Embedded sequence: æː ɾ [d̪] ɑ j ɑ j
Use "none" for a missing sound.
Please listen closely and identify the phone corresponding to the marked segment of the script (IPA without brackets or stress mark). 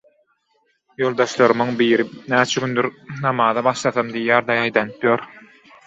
d̪